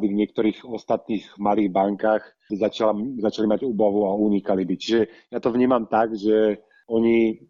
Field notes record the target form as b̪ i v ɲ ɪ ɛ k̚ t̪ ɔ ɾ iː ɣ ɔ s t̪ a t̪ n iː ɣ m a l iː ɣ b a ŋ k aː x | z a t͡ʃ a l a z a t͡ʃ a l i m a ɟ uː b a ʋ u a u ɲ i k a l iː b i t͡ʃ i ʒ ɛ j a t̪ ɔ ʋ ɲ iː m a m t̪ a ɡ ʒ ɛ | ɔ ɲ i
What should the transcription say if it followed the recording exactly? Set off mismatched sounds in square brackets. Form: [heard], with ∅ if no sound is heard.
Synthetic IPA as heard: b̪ i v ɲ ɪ ɛ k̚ t̪ ɔ ɾ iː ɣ ɔ s t̪ a t̪ n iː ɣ m a l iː ɣ b a ŋ k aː x | z a t͡ʃ a l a z a t͡ʃ a l i m a ɟ uː b a ʋ u a u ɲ i k a l [i] b i t͡ʃ i ʒ ɛ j a t̪ ɔ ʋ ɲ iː m a m t̪ a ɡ ʒ ɛ | ɔ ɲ i